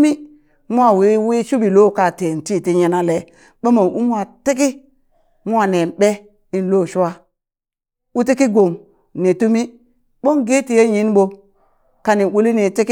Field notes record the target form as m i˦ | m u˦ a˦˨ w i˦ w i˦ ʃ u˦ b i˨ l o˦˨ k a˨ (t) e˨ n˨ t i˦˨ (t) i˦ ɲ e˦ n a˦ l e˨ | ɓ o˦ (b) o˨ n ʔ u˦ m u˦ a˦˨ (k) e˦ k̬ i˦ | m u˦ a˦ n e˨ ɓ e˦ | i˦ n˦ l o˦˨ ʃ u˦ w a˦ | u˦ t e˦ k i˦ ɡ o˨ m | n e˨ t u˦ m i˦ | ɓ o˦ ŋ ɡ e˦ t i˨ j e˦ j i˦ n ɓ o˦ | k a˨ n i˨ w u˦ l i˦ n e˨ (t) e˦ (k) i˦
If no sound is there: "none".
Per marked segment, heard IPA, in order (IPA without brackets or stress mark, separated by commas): t, t, m, t, t, k